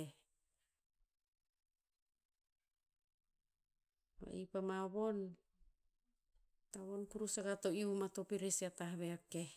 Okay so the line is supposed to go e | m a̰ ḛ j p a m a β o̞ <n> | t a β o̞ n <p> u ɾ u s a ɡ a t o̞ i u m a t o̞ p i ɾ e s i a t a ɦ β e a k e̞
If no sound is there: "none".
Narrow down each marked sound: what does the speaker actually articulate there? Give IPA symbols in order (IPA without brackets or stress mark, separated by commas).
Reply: n, k